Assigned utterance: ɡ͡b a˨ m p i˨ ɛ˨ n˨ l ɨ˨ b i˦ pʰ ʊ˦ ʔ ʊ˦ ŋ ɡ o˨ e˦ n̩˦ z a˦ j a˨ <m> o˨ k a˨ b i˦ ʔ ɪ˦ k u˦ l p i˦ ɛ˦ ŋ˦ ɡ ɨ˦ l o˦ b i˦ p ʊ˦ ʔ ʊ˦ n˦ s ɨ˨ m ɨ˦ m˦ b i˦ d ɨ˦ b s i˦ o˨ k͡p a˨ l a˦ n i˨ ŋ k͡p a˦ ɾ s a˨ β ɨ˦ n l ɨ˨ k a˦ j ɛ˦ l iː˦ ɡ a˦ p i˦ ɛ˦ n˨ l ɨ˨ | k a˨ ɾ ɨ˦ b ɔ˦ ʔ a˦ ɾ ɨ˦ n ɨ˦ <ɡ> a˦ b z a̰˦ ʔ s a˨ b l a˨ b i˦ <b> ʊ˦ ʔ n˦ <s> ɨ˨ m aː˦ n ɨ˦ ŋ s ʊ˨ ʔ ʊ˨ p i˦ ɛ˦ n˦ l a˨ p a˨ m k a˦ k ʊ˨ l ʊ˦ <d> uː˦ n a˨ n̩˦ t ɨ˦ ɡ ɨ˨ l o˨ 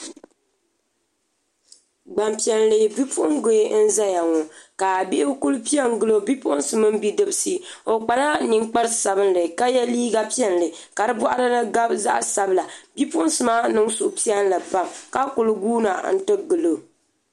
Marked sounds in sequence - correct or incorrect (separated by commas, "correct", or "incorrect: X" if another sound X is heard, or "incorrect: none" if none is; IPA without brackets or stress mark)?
incorrect: ŋ, correct, incorrect: p, correct, incorrect: ɡ